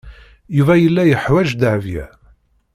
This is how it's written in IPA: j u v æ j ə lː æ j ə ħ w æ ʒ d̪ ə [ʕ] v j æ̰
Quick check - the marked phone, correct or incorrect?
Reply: correct